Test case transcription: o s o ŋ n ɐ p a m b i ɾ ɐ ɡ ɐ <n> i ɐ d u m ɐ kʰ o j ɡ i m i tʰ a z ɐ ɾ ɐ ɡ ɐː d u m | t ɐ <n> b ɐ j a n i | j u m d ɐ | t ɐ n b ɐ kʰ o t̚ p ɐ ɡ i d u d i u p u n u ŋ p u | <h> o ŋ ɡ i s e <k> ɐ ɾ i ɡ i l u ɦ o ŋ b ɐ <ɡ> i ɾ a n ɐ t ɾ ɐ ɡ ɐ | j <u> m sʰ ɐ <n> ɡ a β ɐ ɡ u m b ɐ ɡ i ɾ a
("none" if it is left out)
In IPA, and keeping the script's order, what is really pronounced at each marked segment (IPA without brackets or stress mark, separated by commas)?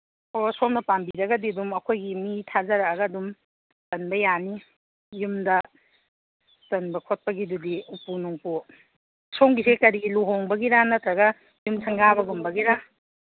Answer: d, n, s, k, ɡ, u, ŋ